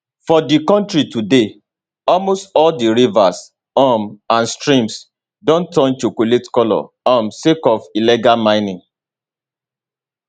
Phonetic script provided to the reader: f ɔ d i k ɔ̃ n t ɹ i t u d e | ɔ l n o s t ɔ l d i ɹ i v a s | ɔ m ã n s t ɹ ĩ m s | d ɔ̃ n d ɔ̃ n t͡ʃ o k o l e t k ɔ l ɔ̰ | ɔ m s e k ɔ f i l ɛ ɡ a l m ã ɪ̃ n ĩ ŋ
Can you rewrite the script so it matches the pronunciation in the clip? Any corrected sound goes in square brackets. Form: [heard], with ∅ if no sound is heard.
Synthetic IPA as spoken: f ɔ d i k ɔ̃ n t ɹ i t u d e | ɔ l [m] o s t ɔ l d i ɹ i v a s | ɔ m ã n s t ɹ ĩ m s | d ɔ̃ n [t] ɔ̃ n t͡ʃ o k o l e t k ɔ l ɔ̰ | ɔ m s e k ɔ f i l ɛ ɡ a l m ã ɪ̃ n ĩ ŋ